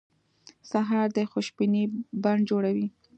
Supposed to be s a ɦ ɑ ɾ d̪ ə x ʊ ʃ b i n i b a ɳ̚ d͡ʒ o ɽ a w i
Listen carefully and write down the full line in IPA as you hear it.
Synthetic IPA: s a ɦ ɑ ɾ d̪ ə x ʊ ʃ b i n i b a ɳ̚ d͡ʒ o ɽ a w i